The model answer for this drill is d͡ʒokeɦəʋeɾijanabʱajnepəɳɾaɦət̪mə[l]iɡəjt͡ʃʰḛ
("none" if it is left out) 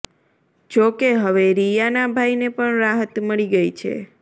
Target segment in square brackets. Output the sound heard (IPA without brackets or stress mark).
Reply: ɭ